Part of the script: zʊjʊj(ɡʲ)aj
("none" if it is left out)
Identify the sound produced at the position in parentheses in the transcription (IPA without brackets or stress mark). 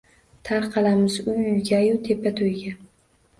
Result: ɡʲ